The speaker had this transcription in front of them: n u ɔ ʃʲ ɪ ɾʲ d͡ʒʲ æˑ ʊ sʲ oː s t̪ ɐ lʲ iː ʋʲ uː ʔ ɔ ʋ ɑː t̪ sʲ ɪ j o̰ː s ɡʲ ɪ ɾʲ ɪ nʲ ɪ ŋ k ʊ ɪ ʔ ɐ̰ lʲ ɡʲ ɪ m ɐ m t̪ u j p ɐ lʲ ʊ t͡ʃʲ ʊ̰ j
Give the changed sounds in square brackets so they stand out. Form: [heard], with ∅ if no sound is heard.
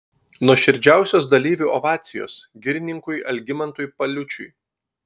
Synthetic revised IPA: n u ɔ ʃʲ ɪ ɾʲ d͡ʒʲ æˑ ʊ sʲ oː s [d̪] ɐ lʲ iː ʋʲ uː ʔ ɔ ʋ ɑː t̪ sʲ ɪ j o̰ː s ɡʲ ɪ ɾʲ ɪ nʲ ɪ ŋ k ʊ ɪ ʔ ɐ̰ lʲ ɡʲ ɪ m ɐ [n] t̪ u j p ɐ lʲ ʊ t͡ʃʲ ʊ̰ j